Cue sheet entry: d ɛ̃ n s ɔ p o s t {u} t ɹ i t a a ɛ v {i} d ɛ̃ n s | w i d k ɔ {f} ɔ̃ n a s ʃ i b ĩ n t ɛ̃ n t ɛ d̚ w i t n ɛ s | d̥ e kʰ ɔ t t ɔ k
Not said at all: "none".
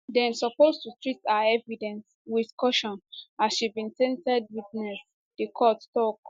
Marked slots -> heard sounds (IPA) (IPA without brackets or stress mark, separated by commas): u, i, ʃ